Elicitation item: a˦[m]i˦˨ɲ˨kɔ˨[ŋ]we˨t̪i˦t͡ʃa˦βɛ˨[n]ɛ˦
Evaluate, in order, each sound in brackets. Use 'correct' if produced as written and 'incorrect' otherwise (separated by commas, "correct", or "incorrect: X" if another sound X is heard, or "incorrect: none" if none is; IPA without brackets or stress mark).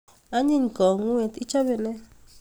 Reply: incorrect: ɲ, correct, correct